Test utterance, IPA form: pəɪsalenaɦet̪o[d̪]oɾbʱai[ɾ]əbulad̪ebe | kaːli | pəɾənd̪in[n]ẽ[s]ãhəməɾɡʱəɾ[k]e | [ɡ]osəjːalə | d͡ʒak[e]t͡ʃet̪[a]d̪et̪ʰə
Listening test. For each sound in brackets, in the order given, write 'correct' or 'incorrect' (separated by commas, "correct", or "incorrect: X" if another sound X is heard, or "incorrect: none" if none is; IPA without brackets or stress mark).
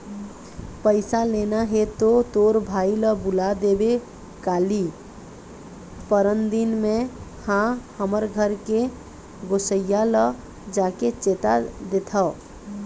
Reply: incorrect: t̪, incorrect: l, incorrect: m, incorrect: h, correct, correct, correct, correct